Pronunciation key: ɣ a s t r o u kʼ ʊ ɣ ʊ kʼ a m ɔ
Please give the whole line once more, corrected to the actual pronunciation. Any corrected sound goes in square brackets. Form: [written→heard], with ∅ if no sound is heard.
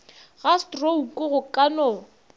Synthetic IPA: ɣ a s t r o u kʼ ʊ ɣ ʊ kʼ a [m→n] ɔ